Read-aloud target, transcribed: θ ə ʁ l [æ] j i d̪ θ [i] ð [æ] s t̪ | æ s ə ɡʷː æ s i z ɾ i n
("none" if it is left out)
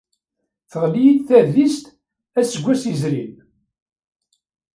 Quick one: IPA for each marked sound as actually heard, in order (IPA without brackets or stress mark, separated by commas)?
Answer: i, æ, i